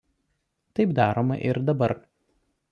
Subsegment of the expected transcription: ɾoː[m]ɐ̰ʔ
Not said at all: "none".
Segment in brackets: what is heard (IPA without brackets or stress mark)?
m